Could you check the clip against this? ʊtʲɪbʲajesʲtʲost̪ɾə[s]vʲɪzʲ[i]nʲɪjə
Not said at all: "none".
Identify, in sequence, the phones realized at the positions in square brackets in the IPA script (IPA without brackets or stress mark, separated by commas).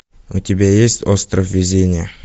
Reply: f, e